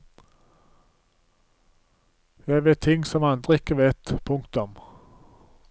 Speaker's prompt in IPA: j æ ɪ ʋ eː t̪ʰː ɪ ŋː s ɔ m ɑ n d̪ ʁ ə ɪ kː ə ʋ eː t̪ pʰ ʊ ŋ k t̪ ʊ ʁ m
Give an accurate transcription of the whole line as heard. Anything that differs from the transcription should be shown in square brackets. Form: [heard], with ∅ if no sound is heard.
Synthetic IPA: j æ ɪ ʋ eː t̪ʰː ɪ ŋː s ɔ m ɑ n d̪ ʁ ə ɪ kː ə ʋ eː t̪ pʰ ʊ ŋ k t̪ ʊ [∅] m